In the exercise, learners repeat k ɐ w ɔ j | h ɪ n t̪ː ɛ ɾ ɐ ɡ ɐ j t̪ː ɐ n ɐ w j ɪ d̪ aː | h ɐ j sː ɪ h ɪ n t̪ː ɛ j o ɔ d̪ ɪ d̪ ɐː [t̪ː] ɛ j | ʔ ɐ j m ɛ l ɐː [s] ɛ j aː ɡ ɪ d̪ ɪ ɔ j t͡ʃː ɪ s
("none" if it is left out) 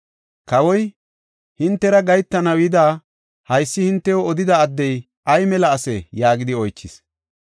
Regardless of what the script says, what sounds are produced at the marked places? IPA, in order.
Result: d̪ː, s

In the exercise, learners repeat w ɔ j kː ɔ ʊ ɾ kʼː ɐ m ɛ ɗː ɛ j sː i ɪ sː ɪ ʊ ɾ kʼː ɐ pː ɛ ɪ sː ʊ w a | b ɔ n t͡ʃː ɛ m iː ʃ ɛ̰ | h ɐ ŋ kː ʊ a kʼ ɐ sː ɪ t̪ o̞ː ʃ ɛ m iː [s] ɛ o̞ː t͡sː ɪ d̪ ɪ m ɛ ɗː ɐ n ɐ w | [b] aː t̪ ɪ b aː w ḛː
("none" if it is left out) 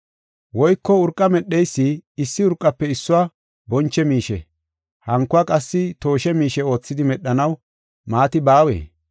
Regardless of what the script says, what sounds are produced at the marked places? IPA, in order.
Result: ʃ, m

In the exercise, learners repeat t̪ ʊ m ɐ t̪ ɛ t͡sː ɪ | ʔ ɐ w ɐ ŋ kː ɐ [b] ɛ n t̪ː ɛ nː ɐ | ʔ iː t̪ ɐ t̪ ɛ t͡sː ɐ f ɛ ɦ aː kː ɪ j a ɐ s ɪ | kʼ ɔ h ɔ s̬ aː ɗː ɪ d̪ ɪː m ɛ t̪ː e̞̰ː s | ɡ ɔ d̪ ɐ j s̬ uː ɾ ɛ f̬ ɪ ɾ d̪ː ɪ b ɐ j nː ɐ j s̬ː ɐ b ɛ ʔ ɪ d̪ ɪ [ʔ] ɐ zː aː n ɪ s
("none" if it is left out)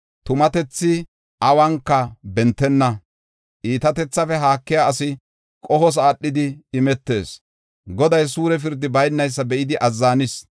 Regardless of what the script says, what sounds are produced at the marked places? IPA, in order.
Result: b, ʔ

